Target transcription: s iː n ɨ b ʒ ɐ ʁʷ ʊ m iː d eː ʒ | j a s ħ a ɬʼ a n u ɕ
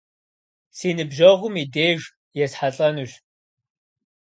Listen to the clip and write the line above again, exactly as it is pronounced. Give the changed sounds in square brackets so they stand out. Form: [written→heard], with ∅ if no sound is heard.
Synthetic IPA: s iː n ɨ b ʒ ɐ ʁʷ ʊ m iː d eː ʒ | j [a→ɛ] s ħ a ɬʼ [a→ɐ] n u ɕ